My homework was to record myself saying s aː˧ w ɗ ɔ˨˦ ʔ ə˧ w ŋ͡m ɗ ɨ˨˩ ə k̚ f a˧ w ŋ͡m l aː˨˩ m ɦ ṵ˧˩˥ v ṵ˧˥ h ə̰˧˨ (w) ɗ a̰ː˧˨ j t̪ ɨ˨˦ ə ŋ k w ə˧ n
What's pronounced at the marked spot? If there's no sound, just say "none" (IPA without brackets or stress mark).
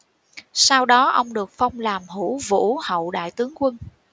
w